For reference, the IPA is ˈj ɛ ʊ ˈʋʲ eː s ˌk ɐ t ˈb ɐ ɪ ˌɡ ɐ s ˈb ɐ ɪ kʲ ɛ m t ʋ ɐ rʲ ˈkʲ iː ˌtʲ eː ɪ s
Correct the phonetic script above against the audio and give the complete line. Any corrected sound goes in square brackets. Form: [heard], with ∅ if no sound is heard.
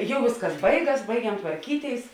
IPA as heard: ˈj ɛ ʊ ˈʋʲ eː s ˌk ɐ [s] ˈb ɐ ɪ ˌɡ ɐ s ˈb ɐ ɪ [ɡʲ] ɛ m t ʋ ɐ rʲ ˈkʲ iː ˌtʲ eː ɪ s